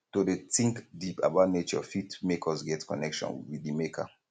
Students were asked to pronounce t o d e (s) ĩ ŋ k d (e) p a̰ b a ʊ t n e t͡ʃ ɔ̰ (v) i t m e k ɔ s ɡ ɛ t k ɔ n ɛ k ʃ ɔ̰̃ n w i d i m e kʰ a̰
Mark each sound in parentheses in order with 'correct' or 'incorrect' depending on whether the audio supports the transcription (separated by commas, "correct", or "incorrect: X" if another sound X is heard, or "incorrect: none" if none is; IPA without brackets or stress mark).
incorrect: t, incorrect: i, incorrect: f